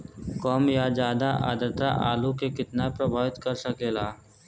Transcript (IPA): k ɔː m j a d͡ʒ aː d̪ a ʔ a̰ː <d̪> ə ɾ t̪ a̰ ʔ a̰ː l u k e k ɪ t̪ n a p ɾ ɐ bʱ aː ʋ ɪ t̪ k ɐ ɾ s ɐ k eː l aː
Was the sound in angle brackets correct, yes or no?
yes